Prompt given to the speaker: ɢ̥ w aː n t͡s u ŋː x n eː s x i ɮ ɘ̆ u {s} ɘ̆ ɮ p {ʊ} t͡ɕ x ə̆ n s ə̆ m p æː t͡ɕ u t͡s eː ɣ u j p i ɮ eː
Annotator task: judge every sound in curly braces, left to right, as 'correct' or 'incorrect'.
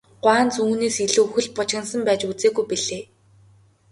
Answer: incorrect: x, correct

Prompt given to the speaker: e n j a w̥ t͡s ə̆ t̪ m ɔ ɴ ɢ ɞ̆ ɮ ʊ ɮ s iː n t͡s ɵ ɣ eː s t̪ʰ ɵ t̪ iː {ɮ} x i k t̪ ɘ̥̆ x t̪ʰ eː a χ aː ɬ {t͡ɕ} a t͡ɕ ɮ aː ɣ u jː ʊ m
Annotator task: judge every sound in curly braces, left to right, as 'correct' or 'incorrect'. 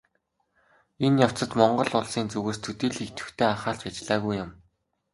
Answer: correct, correct

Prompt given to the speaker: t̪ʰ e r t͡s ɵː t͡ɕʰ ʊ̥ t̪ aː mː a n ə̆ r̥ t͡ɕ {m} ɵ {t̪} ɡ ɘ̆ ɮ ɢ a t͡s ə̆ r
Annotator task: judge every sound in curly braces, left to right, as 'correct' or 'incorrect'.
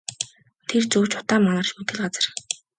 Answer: correct, correct

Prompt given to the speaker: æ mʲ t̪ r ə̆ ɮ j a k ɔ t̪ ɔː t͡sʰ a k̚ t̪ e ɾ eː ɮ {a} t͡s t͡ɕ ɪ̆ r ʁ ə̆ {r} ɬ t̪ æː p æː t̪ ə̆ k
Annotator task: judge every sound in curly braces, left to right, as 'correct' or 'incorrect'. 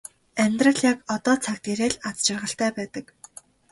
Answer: correct, incorrect: none

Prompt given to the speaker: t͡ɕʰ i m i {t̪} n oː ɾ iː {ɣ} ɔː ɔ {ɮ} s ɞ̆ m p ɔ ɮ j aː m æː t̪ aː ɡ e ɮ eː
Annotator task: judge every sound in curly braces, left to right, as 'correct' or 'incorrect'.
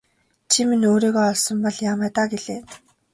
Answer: incorrect: none, correct, correct

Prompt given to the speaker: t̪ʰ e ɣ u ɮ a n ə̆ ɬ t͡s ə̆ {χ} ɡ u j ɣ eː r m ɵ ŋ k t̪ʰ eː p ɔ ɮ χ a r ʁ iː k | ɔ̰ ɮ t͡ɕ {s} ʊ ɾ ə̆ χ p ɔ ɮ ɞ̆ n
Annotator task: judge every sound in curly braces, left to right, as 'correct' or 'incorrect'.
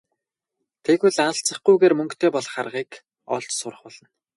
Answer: correct, correct

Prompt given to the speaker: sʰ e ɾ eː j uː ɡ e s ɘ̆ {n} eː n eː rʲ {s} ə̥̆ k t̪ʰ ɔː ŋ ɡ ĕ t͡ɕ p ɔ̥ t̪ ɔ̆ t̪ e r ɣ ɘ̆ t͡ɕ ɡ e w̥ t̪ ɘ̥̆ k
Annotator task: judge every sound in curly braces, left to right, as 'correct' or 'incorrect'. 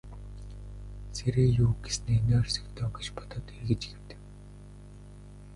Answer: correct, correct

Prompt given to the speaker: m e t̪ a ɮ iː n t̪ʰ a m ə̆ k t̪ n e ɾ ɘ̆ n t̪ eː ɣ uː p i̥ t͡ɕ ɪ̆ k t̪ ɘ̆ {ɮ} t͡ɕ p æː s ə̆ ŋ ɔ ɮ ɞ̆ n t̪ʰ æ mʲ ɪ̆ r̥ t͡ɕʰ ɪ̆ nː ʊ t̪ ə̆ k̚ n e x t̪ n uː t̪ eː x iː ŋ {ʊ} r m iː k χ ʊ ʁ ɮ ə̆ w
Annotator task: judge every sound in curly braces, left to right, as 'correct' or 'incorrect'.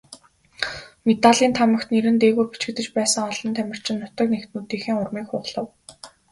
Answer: incorrect: none, correct

